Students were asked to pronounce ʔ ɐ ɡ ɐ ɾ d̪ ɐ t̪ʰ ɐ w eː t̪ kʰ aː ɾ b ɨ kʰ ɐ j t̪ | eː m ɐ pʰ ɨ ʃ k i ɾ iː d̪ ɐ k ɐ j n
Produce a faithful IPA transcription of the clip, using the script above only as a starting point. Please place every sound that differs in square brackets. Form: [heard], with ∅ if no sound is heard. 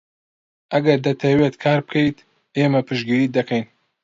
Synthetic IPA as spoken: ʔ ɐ ɡ ɐ ɾ d̪ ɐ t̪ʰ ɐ w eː t̪ kʰ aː ɾ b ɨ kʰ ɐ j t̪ | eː m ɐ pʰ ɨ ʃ [ɡ] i ɾ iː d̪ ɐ k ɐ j n